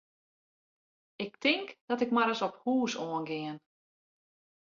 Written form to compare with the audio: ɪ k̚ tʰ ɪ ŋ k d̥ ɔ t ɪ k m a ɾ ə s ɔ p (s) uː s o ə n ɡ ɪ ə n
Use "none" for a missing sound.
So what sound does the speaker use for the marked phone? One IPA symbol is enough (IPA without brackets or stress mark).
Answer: h